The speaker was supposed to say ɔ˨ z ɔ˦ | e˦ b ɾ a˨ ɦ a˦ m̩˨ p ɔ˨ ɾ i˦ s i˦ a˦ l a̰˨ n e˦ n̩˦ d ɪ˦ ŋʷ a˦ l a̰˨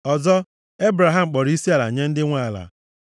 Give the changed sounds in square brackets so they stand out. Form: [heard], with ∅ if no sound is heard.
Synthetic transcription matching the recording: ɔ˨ z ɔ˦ | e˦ b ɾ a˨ ɦ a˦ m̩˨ [k͡p] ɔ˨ ɾ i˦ s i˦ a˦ l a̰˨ [ɲ] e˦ n̩˦ d ɪ˦ ŋʷ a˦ l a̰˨